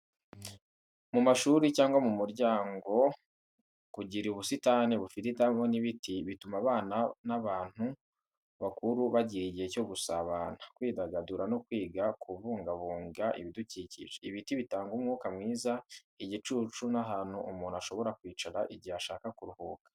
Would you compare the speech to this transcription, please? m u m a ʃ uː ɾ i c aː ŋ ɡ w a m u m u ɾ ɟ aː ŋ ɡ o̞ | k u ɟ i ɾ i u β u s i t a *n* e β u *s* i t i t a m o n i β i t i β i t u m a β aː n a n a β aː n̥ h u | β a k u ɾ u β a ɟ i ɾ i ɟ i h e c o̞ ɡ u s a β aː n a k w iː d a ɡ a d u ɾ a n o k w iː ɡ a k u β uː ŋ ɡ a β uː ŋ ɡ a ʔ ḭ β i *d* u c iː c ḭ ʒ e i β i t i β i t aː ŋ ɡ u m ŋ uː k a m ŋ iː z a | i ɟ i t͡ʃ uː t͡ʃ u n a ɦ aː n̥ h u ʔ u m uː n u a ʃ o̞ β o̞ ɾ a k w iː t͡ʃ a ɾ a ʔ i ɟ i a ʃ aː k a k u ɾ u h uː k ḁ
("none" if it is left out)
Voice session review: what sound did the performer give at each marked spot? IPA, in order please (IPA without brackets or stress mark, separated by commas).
n, f, d